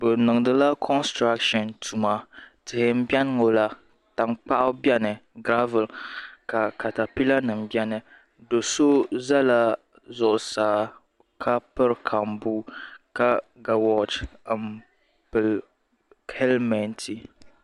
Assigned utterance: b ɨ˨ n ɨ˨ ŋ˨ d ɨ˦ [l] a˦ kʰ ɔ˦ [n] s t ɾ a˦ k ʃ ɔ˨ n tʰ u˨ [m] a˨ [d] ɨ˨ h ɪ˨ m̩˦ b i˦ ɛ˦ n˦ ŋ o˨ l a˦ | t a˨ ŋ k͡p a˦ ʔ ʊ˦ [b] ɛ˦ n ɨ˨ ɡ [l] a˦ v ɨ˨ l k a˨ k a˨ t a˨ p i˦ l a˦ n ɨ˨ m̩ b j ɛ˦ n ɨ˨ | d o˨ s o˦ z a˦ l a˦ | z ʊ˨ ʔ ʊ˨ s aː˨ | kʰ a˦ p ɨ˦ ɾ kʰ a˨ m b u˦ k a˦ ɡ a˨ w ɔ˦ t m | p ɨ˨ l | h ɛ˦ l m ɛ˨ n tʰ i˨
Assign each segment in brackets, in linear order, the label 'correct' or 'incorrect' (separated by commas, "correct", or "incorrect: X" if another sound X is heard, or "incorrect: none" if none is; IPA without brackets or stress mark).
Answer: correct, correct, correct, incorrect: t, correct, incorrect: ɾ